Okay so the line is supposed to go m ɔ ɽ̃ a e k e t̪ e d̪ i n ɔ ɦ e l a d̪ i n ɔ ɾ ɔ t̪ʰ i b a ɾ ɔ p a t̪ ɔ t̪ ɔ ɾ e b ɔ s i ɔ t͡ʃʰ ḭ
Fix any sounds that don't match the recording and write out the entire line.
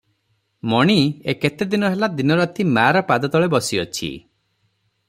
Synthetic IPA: m ɔ ɽ̃ i e k e t̪ e d̪ i n ɔ ɦ e l a d̪ i n ɔ ɾ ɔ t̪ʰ i m a ɾ ɔ p a d̪ ɔ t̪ ɔ ɭ e b ɔ s i ɔ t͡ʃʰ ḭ